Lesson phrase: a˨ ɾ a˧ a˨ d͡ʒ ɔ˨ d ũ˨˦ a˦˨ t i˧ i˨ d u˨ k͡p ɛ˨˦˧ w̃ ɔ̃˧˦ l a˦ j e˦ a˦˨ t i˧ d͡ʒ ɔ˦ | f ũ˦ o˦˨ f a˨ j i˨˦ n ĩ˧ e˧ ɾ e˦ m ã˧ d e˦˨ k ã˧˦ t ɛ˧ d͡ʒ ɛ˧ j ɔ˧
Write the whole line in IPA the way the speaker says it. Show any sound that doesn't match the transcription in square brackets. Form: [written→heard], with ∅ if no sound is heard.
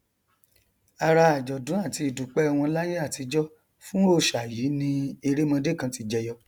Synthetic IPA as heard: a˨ ɾ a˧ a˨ d͡ʒ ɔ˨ d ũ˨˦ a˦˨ t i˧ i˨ d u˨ k͡p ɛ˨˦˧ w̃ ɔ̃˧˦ l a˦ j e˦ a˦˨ t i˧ d͡ʒ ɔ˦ | f ũ˦ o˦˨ [f→ʃ] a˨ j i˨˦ n ĩ˧ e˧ ɾ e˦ m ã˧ d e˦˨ k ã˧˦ t [ɛ˧→i˧] d͡ʒ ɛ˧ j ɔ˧